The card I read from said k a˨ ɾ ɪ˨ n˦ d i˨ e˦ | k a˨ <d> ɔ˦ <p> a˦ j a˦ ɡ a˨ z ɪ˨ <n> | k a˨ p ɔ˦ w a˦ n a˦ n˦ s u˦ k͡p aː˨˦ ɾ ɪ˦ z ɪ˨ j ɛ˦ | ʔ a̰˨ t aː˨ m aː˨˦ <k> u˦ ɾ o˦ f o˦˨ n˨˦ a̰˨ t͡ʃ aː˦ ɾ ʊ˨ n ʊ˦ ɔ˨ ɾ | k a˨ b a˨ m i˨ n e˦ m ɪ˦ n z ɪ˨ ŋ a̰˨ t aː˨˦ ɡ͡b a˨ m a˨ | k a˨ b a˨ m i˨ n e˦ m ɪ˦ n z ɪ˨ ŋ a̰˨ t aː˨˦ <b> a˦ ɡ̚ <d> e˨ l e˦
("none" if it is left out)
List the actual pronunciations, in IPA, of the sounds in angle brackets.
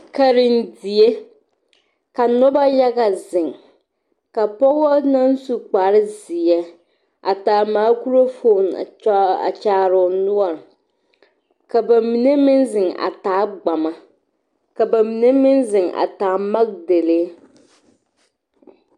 n, b, ŋ, k, m, d

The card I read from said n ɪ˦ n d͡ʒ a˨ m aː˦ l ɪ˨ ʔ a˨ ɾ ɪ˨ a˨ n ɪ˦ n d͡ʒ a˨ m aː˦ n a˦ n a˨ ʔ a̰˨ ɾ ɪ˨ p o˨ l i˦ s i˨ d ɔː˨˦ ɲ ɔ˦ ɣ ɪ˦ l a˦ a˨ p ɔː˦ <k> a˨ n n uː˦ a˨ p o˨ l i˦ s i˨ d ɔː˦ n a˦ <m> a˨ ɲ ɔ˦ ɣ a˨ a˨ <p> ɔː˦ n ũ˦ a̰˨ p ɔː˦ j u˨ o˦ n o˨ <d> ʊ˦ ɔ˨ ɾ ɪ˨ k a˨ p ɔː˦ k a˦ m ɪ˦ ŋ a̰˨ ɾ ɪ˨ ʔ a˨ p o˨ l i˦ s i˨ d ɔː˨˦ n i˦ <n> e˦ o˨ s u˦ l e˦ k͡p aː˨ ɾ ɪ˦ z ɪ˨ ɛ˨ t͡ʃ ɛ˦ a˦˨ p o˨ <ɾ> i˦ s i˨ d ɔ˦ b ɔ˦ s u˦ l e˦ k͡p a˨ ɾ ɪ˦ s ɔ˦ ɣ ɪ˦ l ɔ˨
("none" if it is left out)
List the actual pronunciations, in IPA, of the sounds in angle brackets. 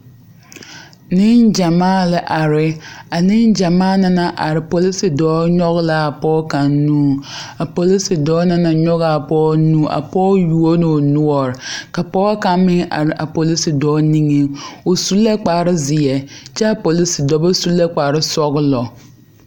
k, n, p, n, ŋ, l

